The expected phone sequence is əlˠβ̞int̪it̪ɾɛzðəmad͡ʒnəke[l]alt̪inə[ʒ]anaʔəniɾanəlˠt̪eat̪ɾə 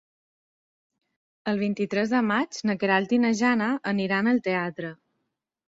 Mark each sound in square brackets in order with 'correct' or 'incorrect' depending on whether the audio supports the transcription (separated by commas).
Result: incorrect, correct